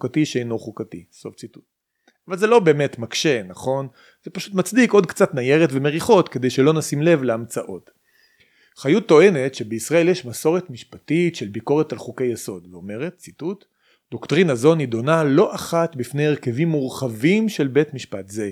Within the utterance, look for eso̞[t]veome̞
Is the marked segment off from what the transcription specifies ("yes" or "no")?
yes